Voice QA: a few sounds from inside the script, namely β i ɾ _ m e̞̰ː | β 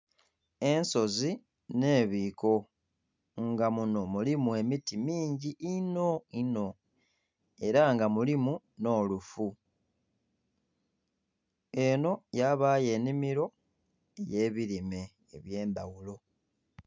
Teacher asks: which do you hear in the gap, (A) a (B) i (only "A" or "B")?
B